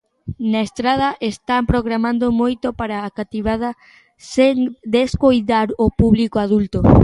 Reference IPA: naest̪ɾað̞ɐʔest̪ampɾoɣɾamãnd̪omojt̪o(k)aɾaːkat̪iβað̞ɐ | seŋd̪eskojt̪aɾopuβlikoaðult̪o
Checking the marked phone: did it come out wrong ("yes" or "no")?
yes